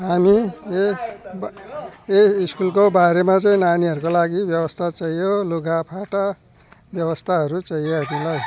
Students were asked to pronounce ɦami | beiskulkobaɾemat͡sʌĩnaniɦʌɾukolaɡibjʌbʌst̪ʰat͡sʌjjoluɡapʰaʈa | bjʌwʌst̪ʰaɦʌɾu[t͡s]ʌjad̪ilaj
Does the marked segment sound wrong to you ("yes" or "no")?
no